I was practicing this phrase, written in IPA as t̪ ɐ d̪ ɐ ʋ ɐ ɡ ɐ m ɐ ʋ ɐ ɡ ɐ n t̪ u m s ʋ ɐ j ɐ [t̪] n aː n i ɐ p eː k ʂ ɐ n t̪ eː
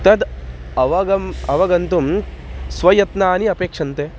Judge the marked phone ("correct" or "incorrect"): correct